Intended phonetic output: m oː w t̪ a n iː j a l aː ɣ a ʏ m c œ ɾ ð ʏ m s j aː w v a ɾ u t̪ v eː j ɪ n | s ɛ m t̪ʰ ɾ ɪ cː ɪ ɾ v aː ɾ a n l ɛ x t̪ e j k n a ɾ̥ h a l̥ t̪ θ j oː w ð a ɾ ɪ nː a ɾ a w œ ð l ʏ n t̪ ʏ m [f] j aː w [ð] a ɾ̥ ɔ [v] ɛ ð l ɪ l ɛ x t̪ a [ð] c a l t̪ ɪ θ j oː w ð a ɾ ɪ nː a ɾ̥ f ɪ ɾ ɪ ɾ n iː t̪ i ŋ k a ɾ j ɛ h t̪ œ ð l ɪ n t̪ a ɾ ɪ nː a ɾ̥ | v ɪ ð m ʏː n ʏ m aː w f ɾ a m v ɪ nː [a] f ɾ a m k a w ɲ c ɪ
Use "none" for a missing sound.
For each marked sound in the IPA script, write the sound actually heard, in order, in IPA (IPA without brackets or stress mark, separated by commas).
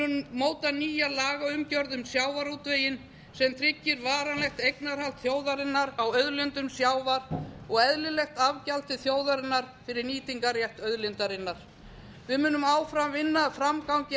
s, v, ɣ, v, a